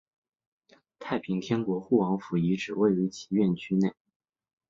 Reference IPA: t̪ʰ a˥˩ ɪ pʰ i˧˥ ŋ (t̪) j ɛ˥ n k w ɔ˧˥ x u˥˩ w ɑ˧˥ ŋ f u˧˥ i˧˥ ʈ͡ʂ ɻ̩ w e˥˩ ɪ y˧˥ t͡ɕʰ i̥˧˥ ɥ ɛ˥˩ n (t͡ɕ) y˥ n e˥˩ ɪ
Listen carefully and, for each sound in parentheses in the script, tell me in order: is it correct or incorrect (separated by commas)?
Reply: incorrect, incorrect